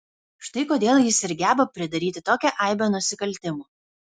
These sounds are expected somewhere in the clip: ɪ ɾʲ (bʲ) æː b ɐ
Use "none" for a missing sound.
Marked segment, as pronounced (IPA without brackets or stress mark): ɡʲ